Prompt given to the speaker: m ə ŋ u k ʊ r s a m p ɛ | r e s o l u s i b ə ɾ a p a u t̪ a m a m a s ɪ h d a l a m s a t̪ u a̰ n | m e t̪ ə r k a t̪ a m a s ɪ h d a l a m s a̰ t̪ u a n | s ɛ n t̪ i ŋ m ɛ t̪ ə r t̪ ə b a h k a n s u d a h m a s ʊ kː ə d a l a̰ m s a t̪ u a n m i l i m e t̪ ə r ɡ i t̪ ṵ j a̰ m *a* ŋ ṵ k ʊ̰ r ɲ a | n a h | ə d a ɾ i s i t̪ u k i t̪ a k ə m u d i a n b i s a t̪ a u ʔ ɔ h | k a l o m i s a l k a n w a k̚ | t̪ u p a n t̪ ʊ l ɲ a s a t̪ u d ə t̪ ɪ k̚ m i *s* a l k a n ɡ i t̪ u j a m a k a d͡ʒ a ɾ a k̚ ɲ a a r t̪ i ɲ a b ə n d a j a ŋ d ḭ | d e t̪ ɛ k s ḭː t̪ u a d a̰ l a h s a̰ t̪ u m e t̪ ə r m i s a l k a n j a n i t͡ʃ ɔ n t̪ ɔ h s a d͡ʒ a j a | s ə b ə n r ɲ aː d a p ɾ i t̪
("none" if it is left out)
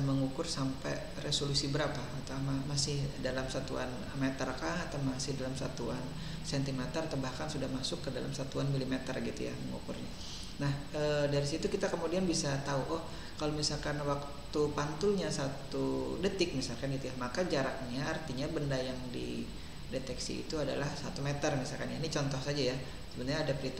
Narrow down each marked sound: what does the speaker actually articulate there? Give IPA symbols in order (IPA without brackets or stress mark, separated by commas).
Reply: ə, s